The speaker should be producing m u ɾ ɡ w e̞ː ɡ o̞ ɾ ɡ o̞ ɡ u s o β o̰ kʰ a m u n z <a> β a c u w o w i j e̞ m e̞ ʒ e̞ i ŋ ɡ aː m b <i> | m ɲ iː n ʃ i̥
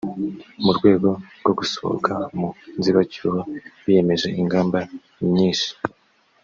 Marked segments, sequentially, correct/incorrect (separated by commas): incorrect, incorrect